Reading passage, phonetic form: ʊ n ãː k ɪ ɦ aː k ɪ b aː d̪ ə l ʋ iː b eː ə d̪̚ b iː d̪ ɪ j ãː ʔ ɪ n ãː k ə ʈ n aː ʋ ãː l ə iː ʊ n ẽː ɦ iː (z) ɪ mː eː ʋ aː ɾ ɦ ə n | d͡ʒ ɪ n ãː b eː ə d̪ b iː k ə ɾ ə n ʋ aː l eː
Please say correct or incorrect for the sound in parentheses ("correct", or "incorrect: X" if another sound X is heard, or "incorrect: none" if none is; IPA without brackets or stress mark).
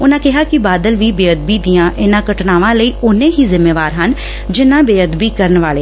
correct